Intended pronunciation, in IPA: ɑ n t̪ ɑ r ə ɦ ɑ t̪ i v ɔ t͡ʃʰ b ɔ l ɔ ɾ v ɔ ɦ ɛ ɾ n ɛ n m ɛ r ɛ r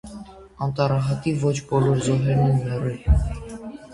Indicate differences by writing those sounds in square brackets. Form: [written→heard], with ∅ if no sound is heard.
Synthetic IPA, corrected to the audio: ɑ n t̪ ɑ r [ə→ɑ] ɦ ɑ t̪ i v ɔ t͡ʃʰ b ɔ l ɔ ɾ [v→z] ɔ ɦ ɛ ɾ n ɛ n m ɛ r ɛ [r→l]

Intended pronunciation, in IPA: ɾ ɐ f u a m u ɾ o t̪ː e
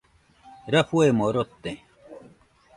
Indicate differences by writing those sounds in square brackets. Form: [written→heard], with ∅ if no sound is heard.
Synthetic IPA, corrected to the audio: ɾ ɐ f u [a→e] m [u→o] ɾ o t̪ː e

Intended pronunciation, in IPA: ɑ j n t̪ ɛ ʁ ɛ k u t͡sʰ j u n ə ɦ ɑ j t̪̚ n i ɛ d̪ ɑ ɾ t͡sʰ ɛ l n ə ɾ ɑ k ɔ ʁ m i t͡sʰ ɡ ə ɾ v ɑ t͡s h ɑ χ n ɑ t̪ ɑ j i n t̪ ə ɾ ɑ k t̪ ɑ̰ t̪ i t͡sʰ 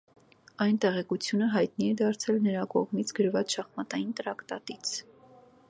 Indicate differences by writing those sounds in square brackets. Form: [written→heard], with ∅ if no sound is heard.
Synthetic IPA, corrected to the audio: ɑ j n t̪ ɛ ʁ ɛ k u t͡sʰ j u n ə ɦ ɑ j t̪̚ n i ɛ d̪ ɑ ɾ t͡sʰ ɛ l n ə ɾ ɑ k ɔ ʁ m i t͡sʰ ɡ ə ɾ v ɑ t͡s [h→ʃ] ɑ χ [n→m] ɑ t̪ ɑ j i n t̪ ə ɾ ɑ k t̪ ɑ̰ t̪ i t͡sʰ

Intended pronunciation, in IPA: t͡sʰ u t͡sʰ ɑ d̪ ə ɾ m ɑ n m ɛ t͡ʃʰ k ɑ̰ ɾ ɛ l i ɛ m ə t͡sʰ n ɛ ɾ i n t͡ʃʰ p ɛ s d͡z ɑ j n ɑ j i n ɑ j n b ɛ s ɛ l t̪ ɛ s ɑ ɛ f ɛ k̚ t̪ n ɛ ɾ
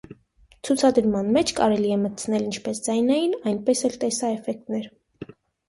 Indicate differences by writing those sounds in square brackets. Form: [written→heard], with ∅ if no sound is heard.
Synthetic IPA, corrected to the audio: t͡sʰ u t͡sʰ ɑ d̪ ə ɾ m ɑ n m ɛ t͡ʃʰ k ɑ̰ ɾ ɛ l i ɛ m ə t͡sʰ n ɛ [ɾ→l] i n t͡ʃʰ p ɛ s d͡z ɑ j n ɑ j i n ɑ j n [b→p] ɛ s ɛ l t̪ ɛ s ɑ ɛ f ɛ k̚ t̪ n ɛ ɾ

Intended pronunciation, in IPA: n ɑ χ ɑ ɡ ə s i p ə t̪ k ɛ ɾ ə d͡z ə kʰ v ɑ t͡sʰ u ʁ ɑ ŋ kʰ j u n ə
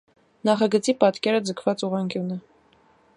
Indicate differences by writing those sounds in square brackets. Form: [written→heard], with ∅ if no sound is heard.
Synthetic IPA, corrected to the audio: n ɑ χ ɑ ɡ ə [s→t͡s] i p [ə→ɑ] t̪ k ɛ ɾ ə d͡z ə kʰ v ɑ [t͡sʰ→t͡s] u ʁ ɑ ŋ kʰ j u n ə

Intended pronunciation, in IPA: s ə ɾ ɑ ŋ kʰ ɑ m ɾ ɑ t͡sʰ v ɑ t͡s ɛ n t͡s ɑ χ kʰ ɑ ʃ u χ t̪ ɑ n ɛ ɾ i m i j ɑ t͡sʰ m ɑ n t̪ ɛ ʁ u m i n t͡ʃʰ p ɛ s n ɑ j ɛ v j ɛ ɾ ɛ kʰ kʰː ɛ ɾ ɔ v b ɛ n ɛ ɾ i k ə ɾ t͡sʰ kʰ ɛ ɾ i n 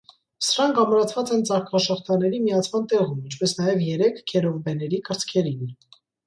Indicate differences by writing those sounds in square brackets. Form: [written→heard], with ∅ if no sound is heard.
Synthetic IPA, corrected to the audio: s ə ɾ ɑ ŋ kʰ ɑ m ɾ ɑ t͡sʰ v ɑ t͡s ɛ n t͡s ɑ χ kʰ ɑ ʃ [u→ɔ] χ t̪ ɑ n ɛ ɾ i m i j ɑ t͡sʰ m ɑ n t̪ ɛ ʁ u m i n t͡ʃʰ p ɛ s n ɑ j ɛ v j ɛ ɾ ɛ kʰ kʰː ɛ ɾ ɔ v b ɛ n ɛ ɾ i k ə ɾ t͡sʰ kʰ ɛ ɾ i n

